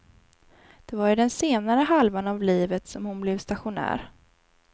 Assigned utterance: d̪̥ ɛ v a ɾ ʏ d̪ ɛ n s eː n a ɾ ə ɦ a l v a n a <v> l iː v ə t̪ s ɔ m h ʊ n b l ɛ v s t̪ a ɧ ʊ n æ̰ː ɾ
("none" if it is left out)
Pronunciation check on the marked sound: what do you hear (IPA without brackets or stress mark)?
v